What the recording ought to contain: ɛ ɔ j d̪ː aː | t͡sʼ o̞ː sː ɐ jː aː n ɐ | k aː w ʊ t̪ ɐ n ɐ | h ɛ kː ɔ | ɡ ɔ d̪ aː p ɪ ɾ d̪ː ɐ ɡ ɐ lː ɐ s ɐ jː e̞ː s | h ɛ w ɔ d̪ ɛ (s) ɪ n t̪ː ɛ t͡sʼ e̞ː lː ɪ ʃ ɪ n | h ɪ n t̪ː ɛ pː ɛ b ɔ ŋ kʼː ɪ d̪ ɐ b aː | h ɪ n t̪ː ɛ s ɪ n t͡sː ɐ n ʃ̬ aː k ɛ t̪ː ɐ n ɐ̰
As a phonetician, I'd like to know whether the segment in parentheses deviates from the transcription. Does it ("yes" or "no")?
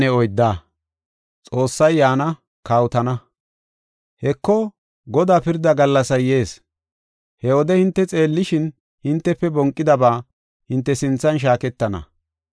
yes